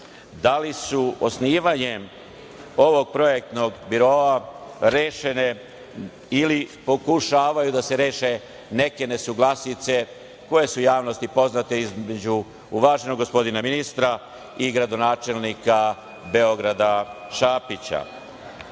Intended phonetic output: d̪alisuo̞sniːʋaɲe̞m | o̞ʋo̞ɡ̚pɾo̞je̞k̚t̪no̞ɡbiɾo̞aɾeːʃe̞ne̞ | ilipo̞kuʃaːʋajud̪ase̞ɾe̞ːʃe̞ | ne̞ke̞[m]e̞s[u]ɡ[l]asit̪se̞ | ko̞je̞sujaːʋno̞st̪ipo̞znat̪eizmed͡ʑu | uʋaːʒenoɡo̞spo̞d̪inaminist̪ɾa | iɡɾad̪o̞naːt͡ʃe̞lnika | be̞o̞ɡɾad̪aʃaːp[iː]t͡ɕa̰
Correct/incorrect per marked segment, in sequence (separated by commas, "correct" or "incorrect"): incorrect, correct, correct, incorrect